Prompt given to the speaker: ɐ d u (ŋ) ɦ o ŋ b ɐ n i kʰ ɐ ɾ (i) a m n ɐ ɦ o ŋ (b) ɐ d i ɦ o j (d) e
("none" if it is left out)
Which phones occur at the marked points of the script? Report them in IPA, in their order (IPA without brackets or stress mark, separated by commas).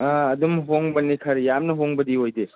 m, j, b, d